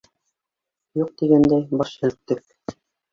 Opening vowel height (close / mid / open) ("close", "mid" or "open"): close